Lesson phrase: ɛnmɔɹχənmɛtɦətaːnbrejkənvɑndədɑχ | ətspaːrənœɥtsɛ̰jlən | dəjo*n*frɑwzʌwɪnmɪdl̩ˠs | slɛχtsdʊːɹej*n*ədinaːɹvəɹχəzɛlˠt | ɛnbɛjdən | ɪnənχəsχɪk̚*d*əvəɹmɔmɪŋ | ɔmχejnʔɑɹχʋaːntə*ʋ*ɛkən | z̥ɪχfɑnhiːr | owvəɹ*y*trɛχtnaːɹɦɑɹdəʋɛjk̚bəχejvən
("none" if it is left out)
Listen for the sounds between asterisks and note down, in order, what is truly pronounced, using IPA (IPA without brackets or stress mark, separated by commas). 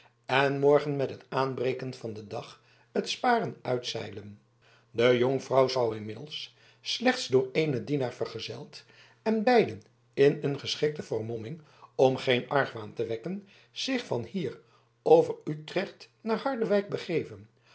ŋ, n, t, ʋ, y